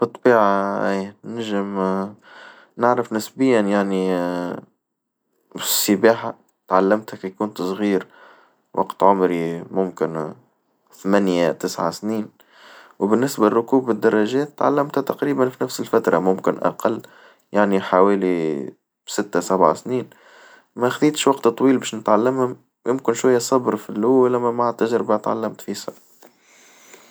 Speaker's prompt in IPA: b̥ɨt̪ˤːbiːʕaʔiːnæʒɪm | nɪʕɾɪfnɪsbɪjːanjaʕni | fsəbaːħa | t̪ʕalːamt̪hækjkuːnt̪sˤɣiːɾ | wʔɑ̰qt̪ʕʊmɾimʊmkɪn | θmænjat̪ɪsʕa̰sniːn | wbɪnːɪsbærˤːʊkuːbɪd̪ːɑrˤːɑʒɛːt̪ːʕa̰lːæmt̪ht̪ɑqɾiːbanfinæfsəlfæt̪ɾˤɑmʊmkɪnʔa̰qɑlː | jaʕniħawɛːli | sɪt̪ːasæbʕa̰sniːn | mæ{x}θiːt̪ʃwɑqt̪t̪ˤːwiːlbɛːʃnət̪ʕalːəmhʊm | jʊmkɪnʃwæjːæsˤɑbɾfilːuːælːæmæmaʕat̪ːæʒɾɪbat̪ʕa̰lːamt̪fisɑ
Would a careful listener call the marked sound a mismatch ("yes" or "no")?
no